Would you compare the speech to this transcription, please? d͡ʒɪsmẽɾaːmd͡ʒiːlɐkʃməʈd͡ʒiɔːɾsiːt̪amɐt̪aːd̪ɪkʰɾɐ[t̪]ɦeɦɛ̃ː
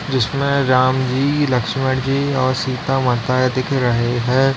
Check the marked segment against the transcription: incorrect: none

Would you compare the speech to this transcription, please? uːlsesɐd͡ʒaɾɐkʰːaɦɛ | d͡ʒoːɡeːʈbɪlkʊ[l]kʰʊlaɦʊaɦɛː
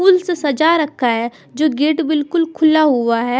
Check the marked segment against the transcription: correct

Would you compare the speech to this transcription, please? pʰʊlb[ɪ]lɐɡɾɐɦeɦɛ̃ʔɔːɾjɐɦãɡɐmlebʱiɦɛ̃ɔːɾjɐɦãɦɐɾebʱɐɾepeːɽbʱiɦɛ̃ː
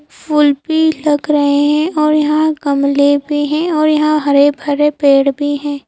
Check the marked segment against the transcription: incorrect: i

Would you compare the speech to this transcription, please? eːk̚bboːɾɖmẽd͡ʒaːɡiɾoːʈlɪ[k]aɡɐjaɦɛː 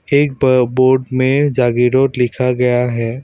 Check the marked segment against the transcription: incorrect: kʰ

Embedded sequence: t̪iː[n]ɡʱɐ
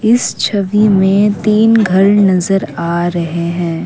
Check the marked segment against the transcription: correct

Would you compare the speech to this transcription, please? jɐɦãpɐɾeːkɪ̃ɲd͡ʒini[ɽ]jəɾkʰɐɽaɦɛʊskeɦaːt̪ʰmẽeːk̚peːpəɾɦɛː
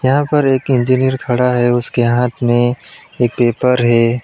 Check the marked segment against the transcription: incorrect: none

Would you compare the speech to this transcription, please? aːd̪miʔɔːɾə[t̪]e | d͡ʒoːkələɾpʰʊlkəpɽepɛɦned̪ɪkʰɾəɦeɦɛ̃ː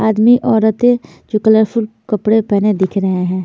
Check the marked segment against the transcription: correct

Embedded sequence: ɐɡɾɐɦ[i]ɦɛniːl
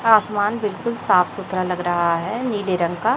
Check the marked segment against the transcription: incorrect: a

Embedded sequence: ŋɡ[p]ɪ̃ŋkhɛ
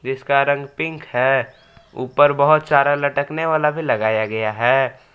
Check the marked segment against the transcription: correct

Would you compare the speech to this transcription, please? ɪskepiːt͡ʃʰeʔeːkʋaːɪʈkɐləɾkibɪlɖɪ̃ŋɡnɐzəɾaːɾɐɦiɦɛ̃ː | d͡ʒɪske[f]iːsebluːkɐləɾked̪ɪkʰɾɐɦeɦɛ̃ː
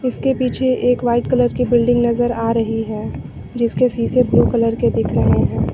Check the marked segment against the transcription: incorrect: s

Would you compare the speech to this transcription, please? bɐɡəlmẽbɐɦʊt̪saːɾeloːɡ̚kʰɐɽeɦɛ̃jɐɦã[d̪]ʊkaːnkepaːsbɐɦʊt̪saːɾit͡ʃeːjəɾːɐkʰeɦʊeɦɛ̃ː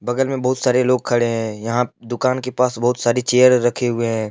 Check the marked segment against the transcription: correct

